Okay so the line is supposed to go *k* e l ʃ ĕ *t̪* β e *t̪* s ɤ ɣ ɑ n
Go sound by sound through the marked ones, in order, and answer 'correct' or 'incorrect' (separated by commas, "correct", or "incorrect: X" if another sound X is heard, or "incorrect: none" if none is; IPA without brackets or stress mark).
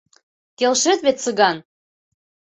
correct, correct, correct